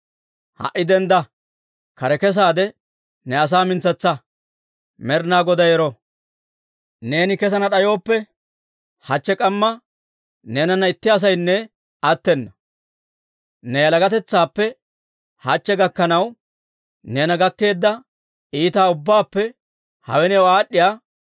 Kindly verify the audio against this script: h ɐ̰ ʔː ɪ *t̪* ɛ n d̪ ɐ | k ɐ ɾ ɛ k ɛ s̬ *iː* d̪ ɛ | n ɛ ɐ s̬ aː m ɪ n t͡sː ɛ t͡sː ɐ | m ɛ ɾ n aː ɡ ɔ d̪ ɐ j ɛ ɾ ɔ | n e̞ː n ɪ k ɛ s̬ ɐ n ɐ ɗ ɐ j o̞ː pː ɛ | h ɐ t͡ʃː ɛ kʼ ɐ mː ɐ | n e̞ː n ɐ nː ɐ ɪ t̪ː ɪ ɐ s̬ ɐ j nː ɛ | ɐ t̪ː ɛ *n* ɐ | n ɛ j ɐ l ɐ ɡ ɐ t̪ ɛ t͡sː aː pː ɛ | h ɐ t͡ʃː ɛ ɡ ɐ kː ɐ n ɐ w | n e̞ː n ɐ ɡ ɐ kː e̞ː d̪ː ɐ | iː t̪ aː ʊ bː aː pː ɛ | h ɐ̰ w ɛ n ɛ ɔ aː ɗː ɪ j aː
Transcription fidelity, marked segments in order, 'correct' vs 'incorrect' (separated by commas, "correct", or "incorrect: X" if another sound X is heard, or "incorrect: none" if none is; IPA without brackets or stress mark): incorrect: d̪, incorrect: aː, incorrect: nː